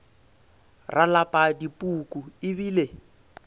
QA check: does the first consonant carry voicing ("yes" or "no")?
yes